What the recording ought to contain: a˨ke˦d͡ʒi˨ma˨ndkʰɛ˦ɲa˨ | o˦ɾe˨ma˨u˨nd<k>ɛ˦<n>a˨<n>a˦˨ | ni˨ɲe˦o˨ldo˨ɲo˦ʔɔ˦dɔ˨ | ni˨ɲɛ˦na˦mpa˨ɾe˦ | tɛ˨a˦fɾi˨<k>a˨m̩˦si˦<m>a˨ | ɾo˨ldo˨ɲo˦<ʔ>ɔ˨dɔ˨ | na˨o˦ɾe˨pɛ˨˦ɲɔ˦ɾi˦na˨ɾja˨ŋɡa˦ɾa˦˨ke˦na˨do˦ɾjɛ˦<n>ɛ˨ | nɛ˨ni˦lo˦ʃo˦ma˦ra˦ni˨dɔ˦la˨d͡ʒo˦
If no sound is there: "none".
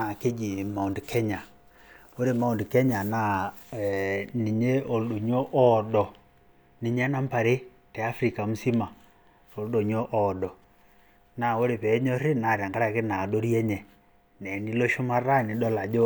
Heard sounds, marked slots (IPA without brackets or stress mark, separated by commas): k, ɲ, n, k, m, ʔ, ɲ